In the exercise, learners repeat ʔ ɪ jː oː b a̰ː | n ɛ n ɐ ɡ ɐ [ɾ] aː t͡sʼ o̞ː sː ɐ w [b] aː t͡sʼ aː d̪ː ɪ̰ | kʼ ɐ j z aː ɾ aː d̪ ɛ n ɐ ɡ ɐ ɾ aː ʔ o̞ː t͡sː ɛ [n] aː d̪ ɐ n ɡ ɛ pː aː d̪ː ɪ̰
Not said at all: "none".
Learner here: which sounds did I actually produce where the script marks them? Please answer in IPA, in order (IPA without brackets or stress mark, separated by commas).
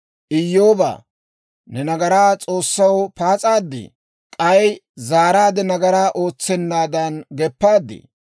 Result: ɾ, p, nː